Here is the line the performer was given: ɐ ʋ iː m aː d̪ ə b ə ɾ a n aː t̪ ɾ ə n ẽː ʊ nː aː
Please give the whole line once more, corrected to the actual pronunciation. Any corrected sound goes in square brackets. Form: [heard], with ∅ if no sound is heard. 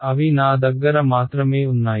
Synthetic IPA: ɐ ʋ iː [n] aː d̪ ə [ɡ] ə ɾ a [m] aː t̪ ɾ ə [m] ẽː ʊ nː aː